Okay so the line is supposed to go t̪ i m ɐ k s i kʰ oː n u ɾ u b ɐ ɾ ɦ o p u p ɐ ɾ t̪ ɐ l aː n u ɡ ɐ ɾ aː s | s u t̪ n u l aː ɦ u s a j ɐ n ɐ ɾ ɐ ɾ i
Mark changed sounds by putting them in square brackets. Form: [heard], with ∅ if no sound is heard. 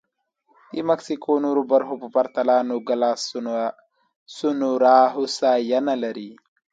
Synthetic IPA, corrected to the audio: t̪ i m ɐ k s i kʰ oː n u ɾ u b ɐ ɾ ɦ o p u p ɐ ɾ t̪ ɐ l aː n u ɡ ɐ [l] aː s | s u [∅] n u [ɾ] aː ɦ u s a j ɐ n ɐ [l] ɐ ɾ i